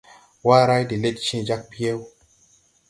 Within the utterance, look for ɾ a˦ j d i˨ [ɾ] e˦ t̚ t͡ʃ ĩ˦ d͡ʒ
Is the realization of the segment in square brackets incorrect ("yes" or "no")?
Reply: yes